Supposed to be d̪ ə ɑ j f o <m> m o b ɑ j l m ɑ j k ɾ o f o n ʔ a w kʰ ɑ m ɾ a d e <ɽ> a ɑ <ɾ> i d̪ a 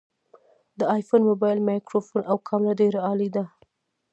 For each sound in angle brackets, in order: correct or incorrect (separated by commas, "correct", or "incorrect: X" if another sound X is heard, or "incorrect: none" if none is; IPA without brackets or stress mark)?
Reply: incorrect: n, incorrect: ɾ, incorrect: l